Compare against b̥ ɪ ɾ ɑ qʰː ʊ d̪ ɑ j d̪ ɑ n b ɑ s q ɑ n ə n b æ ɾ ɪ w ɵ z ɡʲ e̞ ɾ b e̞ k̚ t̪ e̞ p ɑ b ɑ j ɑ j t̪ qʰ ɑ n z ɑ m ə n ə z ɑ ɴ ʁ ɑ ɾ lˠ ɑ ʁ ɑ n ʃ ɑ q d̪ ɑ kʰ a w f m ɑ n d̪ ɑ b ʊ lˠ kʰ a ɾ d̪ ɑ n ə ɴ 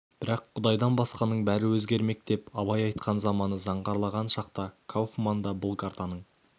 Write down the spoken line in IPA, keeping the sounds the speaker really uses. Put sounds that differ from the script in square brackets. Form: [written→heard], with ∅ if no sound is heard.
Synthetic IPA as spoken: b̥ ɪ ɾ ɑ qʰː ʊ d̪ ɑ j d̪ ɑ n b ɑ s q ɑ n ə [n→ɴ] b æ ɾ ɪ w ɵ z ɡʲ e̞ ɾ [b→m] e̞ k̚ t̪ e̞ p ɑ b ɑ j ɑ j t̪ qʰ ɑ n z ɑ m [ə→ɑ] n ə z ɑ ɴ ʁ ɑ ɾ lˠ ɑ ʁ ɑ n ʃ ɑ q [d̪→t̪] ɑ kʰ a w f m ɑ n d̪ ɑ b ʊ lˠ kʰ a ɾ [d̪→t̪] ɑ n ə ɴ

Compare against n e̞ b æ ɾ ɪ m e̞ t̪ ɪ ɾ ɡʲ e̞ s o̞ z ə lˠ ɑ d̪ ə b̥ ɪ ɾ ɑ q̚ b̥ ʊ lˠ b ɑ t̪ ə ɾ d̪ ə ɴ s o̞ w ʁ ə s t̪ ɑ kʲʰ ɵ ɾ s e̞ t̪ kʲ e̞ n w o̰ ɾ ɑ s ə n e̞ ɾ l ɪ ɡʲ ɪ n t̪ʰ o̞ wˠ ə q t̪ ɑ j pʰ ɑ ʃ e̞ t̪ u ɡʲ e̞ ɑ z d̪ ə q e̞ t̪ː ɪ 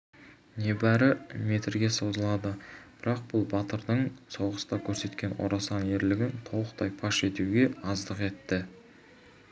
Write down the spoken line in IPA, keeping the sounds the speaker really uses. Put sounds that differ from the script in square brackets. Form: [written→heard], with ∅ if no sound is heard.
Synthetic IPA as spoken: n e̞ b æ ɾ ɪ m e̞ t̪ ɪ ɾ ɡʲ e̞ s o̞ z ə lˠ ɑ d̪ ə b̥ ɪ ɾ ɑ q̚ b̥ ʊ lˠ b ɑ t̪ ə ɾ d̪ ə ɴ s o̞ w ʁ ə s t̪ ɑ kʲʰ ɵ ɾ s e̞ t̪ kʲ e̞ n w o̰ ɾ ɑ s [ə→ɑ] n e̞ ɾ l ɪ ɡʲ ɪ n t̪ʰ o̞ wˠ ə q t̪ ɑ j pʰ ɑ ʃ e̞ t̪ u ɡʲ e̞ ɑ z d̪ ə q e̞ t̪ː ɪ

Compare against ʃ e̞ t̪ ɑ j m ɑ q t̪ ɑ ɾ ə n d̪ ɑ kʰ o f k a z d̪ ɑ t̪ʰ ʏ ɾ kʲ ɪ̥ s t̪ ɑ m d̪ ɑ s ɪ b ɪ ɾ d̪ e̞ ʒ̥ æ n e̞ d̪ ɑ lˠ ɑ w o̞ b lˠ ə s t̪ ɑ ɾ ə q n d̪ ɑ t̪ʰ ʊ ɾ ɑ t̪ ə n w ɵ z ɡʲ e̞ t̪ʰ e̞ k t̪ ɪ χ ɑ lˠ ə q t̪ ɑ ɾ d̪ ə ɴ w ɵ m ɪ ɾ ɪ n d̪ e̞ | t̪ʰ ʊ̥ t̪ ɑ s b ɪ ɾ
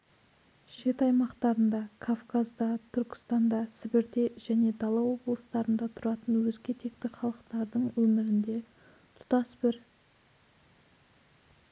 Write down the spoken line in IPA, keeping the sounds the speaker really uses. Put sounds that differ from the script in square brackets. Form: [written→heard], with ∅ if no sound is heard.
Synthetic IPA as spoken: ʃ e̞ t̪ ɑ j m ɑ q t̪ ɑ ɾ ə n d̪ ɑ kʰ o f k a z d̪ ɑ t̪ʰ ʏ ɾ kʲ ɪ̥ s t̪ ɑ [m→n] d̪ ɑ s ɪ b ɪ ɾ d̪ e̞ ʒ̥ æ n e̞ d̪ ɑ lˠ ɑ w o̞ b lˠ ə s t̪ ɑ ɾ ə [q→∅] n d̪ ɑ t̪ʰ ʊ ɾ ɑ t̪ ə n w ɵ z ɡʲ e̞ t̪ʰ e̞ k t̪ ɪ χ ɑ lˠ ə q t̪ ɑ ɾ d̪ ə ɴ w ɵ m ɪ ɾ ɪ n d̪ e̞ | t̪ʰ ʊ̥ t̪ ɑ s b ɪ ɾ

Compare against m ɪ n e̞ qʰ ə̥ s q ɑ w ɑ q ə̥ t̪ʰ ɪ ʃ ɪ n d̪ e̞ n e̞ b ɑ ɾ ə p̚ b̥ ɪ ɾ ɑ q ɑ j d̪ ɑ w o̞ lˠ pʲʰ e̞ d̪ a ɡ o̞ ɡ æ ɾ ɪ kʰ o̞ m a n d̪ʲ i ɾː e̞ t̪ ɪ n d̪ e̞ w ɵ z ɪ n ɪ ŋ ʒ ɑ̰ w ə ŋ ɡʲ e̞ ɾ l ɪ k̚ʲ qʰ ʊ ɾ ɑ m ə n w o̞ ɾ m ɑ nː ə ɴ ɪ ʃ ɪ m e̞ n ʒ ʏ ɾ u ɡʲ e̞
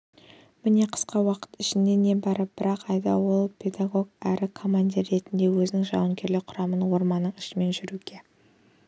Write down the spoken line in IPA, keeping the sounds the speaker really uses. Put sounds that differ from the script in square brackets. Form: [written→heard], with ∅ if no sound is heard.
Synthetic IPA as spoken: m ɪ n e̞ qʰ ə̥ s q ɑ w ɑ q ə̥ [t̪ʰ→t̪] ɪ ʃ ɪ n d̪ e̞ n e̞ b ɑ ɾ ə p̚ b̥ ɪ ɾ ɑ q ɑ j d̪ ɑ w o̞ lˠ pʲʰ e̞ d̪ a ɡ o̞ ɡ æ ɾ ɪ kʰ o̞ m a n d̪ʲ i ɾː e̞ t̪ ɪ n d̪ e̞ w ɵ z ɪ n ɪ ŋ ʒ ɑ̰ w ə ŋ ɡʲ e̞ ɾ l ɪ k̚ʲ qʰ ʊ ɾ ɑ m ə n w o̞ ɾ m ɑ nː ə ɴ ɪ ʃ ɪ m e̞ n ʒ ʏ ɾ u ɡʲ e̞

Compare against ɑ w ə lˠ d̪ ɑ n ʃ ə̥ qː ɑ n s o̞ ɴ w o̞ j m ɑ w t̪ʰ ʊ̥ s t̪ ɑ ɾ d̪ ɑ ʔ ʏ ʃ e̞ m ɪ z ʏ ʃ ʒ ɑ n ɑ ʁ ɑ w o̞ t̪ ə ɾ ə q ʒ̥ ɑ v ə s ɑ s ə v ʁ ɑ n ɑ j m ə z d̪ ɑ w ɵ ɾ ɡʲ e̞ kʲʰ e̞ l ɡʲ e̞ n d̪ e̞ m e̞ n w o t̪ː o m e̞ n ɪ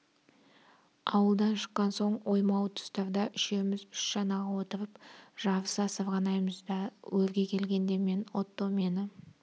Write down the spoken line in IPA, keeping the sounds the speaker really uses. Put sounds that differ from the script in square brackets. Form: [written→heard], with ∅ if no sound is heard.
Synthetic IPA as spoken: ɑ w ə lˠ d̪ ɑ n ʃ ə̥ qː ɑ n s o̞ ɴ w o̞ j m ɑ w t̪ʰ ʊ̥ s t̪ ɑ ɾ d̪ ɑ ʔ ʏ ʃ e̞ m ɪ z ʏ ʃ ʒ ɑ n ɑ ʁ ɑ w o̞ t̪ ə ɾ ə [q→p] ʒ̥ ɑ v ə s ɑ s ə v ʁ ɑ n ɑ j m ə z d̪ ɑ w ɵ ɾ ɡʲ e̞ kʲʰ e̞ l ɡʲ e̞ n d̪ e̞ m e̞ n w o t̪ː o m e̞ n ɪ

